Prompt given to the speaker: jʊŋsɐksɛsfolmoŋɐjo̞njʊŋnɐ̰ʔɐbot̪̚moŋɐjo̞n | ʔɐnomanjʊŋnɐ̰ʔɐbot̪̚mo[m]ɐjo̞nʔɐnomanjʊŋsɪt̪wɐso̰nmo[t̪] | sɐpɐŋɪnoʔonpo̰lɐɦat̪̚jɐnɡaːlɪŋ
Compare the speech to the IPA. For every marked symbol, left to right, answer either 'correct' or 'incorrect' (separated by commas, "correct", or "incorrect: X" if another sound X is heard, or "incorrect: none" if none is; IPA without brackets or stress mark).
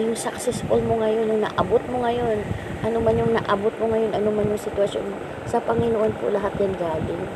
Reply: incorrect: ŋ, incorrect: none